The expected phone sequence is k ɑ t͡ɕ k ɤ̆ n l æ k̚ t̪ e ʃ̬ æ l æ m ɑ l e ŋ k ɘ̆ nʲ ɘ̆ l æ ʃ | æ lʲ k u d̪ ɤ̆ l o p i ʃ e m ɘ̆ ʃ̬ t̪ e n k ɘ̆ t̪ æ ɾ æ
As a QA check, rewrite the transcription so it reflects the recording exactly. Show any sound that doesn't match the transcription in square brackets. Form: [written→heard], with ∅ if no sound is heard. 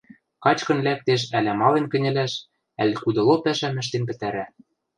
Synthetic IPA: k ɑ t͡ɕ k ɤ̆ n l æ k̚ t̪ e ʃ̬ æ l æ m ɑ l e [ŋ→n] k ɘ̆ nʲ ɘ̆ l æ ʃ | æ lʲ k u d̪ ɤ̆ l o p [i→æ] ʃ [e→æ] m ɘ̆ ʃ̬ t̪ e n [k→p] ɘ̆ t̪ æ ɾ æ